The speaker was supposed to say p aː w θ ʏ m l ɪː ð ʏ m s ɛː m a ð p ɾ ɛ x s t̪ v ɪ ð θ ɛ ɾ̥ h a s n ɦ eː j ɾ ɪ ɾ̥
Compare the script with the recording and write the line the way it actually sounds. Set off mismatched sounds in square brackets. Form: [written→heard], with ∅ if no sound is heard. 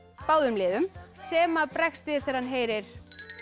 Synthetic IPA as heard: p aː w [θ→ð] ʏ m l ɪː ð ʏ m s ɛː m a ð p ɾ ɛ x s t̪ v ɪ ð θ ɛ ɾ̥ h a [s→∅] n ɦ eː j ɾ ɪ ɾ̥